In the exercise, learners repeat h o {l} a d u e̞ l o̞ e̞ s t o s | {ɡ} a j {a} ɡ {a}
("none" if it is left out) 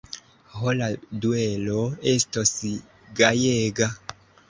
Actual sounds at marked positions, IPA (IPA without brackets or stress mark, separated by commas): l, ɡ, e, a